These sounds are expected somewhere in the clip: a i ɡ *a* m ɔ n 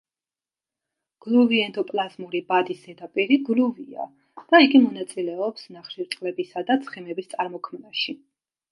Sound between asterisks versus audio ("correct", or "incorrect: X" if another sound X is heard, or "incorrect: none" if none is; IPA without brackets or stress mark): incorrect: i